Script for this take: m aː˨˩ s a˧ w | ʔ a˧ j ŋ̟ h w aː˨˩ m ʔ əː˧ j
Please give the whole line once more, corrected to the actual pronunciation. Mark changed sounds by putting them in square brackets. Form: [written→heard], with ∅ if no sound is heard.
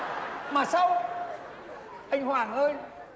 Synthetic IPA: m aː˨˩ s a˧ w | ʔ a˧ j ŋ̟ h w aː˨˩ [m→ŋ] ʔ əː˧ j